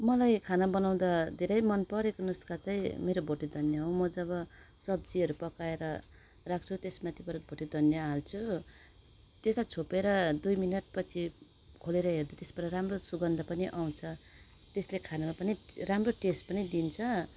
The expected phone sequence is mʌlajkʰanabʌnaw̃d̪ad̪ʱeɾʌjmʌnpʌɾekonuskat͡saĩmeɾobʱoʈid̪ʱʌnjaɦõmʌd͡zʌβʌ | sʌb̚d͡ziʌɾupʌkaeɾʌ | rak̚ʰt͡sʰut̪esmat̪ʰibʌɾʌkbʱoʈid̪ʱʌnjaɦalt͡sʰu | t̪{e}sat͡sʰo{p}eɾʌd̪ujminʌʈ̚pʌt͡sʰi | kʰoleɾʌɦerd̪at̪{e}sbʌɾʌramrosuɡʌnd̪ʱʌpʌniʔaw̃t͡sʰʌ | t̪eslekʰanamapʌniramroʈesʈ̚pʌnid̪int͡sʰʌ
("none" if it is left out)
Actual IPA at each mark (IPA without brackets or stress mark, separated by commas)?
e, p, e